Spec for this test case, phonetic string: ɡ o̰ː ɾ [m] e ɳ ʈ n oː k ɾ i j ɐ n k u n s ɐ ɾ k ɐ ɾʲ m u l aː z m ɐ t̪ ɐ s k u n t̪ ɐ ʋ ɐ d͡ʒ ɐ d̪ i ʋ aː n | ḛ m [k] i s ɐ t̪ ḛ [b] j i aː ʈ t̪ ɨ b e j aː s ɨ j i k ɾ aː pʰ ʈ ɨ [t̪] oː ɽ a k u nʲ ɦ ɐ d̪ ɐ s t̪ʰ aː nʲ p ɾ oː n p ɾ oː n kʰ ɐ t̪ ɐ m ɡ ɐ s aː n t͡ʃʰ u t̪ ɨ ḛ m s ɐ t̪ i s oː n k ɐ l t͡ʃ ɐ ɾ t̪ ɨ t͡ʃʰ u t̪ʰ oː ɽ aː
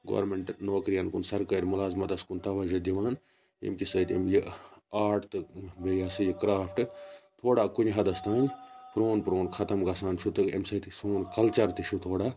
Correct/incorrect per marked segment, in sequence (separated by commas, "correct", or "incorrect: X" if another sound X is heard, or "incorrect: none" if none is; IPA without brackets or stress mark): correct, correct, incorrect: m, incorrect: t̪ʰ